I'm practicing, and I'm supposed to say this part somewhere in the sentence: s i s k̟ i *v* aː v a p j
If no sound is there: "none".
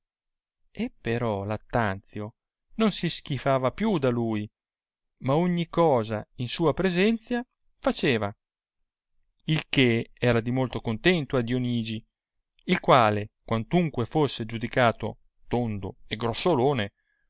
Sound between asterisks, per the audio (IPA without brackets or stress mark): f